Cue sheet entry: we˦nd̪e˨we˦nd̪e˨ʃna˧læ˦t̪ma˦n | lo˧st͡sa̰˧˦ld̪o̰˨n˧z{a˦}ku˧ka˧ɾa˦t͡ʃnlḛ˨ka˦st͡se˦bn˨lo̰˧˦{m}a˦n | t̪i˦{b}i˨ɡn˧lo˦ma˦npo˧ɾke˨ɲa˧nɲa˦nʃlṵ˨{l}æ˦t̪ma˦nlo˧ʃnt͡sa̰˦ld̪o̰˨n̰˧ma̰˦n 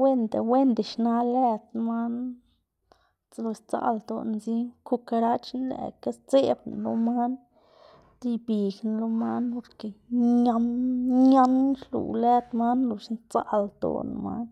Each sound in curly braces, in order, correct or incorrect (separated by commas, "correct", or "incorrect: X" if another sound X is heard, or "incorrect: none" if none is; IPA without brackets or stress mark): incorrect: i˦, correct, correct, correct